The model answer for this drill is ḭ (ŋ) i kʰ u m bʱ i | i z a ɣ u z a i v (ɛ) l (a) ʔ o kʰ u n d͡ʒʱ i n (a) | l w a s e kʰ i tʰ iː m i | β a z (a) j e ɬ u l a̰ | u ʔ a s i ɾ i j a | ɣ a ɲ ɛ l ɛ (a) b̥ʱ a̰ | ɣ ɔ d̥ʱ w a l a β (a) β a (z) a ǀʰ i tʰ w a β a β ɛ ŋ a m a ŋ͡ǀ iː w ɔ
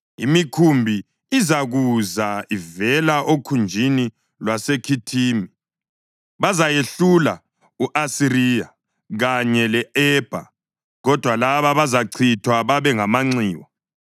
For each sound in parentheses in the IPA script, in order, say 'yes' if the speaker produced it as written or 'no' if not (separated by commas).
no, yes, yes, no, yes, no, yes, yes